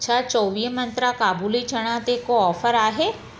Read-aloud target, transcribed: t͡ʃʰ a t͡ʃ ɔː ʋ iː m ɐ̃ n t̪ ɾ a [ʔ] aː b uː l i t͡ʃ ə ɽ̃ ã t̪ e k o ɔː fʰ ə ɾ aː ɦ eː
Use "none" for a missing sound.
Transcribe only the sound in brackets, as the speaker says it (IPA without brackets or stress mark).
k